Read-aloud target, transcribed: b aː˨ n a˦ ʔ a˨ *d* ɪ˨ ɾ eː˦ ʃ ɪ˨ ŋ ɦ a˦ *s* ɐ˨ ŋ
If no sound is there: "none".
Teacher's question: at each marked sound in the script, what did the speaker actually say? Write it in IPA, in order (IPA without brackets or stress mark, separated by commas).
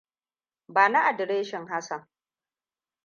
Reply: d, s